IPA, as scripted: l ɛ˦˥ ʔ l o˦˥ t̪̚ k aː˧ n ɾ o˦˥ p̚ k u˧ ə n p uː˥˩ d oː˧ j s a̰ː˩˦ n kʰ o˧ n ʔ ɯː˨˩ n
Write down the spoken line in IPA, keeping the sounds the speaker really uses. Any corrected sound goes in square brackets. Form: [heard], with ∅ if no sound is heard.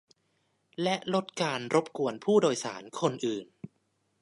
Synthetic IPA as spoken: l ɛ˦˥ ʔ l o˦˥ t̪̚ k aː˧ n ɾ o˦˥ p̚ k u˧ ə n [pʰ] uː˥˩ d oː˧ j s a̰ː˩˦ n kʰ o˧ n ʔ ɯː˨˩ n